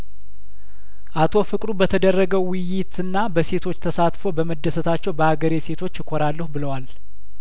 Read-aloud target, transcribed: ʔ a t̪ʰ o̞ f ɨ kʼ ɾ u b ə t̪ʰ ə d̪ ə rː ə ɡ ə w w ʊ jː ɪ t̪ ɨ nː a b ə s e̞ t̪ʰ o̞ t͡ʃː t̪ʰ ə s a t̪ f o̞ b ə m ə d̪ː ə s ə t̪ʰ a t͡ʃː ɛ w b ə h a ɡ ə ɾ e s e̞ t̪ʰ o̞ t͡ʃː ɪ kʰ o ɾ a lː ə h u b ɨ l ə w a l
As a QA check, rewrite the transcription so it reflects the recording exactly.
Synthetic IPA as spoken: ʔ a t̪ʰ o̞ f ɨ kʼ ɾ u b ə t̪ʰ ə d̪ ə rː ə ɡ ə w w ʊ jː ɪ t̪ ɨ nː a b ə s e̞ t̪ʰ o̞ t͡ʃː t̪ʰ ə s a t̪ f o̞ b ə m ə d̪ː ə s ə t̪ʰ a t͡ʃː ɛ w b ə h a ɡ ə ɾ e s e̞ t̪ʰ o̞ t͡ʃː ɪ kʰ o ɾ a lː ə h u b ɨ l ə w a l